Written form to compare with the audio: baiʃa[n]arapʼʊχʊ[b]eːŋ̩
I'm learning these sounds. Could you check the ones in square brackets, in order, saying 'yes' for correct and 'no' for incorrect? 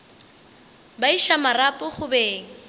no, yes

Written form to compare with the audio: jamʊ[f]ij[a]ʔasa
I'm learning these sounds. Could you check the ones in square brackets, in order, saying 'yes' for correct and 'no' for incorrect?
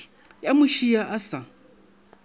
no, yes

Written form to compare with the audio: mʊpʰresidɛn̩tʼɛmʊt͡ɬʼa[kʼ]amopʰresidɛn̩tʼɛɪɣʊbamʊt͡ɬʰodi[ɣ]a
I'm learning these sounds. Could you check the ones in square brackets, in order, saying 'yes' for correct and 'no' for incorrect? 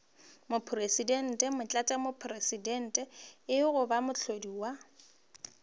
no, no

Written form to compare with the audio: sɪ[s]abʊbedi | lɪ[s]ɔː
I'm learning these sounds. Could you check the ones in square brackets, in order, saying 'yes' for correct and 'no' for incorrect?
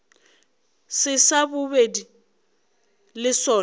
yes, yes

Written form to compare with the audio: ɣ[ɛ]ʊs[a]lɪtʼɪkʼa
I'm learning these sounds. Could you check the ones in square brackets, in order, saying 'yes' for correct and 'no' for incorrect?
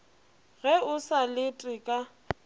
yes, yes

